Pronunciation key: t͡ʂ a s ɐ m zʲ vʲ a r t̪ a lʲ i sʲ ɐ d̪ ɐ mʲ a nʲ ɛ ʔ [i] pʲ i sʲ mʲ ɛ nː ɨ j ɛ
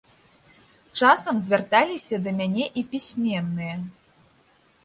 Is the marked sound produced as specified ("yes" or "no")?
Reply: yes